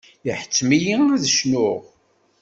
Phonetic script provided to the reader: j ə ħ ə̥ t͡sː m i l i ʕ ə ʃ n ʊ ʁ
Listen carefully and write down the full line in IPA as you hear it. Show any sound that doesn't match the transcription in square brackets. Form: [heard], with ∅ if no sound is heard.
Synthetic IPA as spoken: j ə ħ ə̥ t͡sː m i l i [ð] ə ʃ n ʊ ʁ